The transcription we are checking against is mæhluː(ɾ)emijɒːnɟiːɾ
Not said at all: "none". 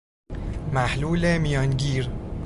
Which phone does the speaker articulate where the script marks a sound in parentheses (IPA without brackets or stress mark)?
l